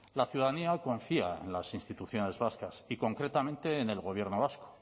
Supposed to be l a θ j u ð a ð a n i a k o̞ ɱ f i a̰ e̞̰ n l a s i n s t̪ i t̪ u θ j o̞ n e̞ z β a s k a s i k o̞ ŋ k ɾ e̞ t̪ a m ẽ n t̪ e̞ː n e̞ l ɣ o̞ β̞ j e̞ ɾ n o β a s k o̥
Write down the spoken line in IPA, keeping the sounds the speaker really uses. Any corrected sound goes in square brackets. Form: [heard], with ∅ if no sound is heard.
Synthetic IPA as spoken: l a θ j u ð a ð a n i a k o̞ ɱ f i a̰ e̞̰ n l a s i n s t̪ i t̪ u θ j o̞ n e̞ z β a s k a s i k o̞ ŋ k ɾ e̞ t̪ a m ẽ n t̪ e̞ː n e̞ l ɣ o̞ β̞ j e̞ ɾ n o β a s k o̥